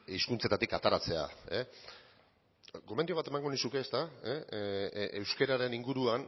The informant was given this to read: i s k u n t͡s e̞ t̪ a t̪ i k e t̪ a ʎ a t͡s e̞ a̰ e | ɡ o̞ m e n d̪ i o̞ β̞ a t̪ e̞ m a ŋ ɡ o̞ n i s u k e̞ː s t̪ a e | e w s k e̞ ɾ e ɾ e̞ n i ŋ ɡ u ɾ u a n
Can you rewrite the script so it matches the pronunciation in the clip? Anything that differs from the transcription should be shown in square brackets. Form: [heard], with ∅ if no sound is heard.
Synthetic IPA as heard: i s k u n t͡s e̞ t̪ a t̪ i k [a] t̪ a [ɾ] a t͡s e̞ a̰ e | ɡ o̞ m e n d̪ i o̞ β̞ a t̪ e̞ m a ŋ ɡ o̞ n i s u k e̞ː s t̪ a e | e w s k e̞ ɾ [a] ɾ e̞ n i ŋ ɡ u ɾ u a n